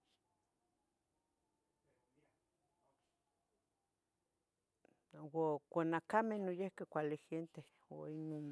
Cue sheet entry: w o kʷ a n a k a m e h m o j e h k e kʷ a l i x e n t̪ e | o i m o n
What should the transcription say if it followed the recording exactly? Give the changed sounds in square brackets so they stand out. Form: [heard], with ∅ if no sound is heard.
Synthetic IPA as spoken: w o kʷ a n a k a m e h [n] o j e h k e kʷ a l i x e n t̪ e | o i [n] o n